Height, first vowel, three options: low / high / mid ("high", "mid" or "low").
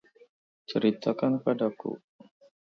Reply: mid